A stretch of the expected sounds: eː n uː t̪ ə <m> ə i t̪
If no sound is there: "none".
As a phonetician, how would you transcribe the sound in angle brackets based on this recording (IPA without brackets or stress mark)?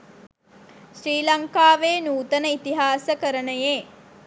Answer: n